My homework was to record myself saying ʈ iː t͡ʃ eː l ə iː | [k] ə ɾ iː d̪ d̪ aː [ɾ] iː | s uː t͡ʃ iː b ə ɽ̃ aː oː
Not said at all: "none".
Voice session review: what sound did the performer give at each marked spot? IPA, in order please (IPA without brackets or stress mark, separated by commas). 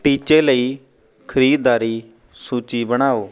kʰ, ɾ